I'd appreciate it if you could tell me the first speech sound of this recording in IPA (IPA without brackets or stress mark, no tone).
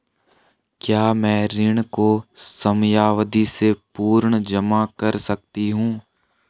k